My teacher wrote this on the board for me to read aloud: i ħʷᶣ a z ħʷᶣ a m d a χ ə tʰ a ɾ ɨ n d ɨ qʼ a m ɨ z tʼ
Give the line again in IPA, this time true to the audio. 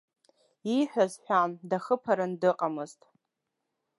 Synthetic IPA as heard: i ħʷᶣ a z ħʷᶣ a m d a χ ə pʰ a ɾ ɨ n d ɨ qʼ a m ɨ z tʼ